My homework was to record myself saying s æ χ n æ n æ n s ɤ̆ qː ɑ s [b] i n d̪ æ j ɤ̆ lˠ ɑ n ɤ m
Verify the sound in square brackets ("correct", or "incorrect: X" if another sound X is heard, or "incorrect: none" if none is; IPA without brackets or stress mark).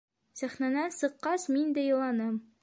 incorrect: m